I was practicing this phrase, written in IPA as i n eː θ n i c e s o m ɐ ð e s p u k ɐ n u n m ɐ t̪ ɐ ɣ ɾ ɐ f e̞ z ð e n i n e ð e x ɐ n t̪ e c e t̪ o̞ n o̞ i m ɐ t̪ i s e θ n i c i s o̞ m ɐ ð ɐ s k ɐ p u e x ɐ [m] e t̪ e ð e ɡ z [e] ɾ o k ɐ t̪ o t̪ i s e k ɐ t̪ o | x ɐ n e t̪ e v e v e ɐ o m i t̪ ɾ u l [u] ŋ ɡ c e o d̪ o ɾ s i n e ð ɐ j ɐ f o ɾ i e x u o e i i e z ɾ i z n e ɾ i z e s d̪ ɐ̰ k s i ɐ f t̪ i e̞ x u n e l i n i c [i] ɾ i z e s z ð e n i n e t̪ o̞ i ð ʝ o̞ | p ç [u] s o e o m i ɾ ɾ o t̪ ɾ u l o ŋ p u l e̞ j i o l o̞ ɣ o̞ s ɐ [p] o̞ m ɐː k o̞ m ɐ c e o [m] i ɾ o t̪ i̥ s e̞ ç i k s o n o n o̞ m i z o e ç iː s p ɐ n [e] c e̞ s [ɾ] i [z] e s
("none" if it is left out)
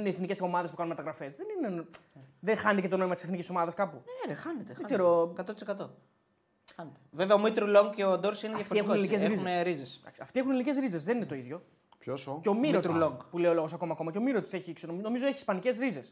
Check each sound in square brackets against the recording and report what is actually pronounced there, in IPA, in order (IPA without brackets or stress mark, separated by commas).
n, e, o, e, o, k, m, i, ɾ, z